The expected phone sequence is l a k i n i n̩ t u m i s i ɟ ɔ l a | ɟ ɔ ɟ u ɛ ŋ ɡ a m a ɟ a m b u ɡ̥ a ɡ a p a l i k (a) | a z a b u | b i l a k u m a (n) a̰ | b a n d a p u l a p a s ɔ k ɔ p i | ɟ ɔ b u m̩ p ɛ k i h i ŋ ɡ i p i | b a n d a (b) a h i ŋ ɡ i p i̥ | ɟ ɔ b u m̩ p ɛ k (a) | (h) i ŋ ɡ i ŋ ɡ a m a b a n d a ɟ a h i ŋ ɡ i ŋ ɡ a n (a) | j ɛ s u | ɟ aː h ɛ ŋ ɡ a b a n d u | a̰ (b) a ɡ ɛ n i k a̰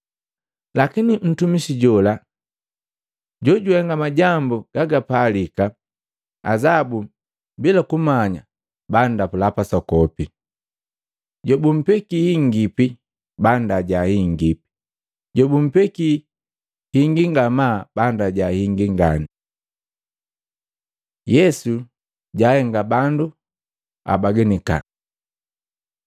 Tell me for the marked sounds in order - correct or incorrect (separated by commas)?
correct, incorrect, incorrect, incorrect, correct, incorrect, correct